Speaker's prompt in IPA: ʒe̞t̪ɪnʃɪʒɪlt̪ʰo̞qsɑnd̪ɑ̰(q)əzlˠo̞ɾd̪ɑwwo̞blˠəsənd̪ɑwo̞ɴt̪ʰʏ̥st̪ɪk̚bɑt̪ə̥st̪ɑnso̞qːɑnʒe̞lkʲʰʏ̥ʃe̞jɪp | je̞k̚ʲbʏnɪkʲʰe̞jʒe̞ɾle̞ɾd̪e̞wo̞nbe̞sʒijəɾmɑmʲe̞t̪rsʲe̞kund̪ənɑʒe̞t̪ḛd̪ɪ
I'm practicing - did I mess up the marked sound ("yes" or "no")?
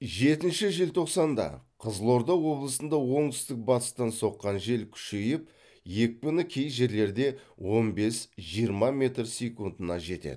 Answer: yes